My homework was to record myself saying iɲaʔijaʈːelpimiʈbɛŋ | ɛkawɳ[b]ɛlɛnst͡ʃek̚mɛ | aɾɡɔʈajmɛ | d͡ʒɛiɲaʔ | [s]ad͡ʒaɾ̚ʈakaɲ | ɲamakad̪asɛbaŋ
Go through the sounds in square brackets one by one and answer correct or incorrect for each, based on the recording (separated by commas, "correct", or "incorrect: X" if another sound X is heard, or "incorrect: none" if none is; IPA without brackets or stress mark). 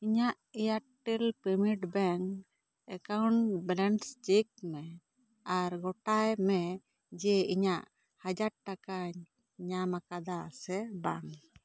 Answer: correct, incorrect: h